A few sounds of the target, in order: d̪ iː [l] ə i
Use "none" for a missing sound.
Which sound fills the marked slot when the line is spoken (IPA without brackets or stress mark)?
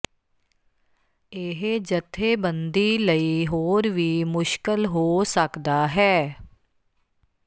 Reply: l